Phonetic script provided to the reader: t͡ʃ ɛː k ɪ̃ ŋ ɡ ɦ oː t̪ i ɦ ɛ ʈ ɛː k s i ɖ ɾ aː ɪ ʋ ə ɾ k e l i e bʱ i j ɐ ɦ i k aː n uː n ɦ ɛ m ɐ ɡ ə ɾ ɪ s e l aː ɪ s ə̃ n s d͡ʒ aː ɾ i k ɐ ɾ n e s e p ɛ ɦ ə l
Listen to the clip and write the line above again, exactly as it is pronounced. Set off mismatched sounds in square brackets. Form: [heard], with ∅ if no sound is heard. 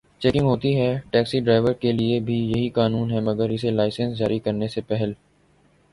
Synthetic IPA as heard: t͡ʃ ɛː k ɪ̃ ŋ ɡ ɦ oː t̪ i ɦ ɛ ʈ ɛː k s i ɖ ɾ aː ɪ ʋ ə ɾ k e l i e bʱ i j ɐ ɦ i k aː n uː n ɦ ɛ m ɐ ɡ ə ɾ ɪ s e l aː ɪ s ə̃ n s d͡ʒ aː ɾ i k ɐ ɾ n e s e p ɛ ɦ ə l